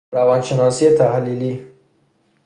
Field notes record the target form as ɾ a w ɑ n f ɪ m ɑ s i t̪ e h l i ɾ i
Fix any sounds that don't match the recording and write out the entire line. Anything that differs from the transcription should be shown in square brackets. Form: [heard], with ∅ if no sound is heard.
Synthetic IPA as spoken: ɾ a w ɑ n [ʃ] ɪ [n] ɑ s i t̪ [a] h l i [l] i

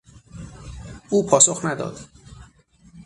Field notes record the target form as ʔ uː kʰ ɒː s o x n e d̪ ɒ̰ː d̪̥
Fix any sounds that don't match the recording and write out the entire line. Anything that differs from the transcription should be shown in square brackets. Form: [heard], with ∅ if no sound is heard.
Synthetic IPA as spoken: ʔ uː [pʰ] ɒː s o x n [æ] d̪ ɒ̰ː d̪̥

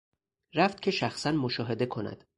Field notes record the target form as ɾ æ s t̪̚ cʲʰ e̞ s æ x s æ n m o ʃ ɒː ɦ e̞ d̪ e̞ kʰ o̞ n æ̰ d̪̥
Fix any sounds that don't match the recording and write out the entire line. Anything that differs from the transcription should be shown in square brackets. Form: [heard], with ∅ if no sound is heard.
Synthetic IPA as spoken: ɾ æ [f] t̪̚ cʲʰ e̞ [ʃ] æ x s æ n m o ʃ ɒː ɦ e̞ d̪ e̞ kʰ o̞ n æ̰ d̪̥

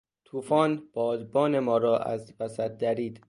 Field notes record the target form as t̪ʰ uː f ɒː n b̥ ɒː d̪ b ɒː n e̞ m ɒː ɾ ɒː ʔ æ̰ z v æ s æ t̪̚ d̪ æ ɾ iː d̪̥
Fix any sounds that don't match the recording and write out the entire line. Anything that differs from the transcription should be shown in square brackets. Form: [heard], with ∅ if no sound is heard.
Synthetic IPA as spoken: t̪ʰ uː f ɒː n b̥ ɒː d̪ b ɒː n e̞ m ɒː ɾ ɒː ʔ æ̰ z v æ s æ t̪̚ d̪ æ ɾ iː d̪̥

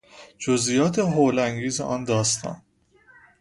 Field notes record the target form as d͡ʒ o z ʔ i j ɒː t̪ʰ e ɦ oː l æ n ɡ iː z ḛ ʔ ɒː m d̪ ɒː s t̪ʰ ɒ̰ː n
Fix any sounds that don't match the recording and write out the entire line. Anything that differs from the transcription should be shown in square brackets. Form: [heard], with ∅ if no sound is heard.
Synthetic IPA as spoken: d͡ʒ o z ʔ i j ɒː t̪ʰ e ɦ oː l æ [ŋ] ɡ iː z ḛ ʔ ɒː [n] d̪ ɒː s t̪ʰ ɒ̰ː n

